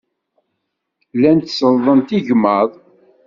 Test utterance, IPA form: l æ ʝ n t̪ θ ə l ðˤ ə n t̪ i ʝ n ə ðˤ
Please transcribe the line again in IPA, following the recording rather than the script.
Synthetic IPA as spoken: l æ n t̪ s ə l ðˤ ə n t̪ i ʝ m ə ðˤ